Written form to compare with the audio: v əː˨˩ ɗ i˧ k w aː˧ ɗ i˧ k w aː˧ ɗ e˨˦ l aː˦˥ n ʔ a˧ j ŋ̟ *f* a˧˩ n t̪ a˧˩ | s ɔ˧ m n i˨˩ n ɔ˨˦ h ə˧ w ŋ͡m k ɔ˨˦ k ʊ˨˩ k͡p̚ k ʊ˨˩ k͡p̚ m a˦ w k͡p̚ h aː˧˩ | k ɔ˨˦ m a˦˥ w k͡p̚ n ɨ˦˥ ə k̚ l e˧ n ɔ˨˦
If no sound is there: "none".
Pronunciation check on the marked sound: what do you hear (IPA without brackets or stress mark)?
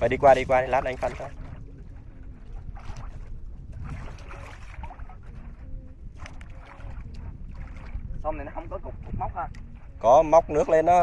f